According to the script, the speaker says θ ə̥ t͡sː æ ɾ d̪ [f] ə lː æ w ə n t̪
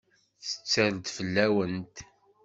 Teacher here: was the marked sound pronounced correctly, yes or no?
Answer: yes